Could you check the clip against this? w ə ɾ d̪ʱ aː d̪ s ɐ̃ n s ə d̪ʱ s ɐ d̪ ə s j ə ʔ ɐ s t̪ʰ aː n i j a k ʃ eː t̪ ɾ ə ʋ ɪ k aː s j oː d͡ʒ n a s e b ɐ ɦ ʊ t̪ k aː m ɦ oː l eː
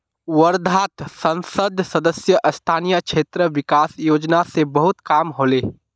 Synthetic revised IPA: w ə ɾ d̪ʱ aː t̪ s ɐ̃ n s ə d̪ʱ s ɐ d̪ ə s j ə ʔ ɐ s t̪ʰ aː n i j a k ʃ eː t̪ ɾ ə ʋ ɪ k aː s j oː d͡ʒ n a s e b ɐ ɦ ʊ t̪ k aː m ɦ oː l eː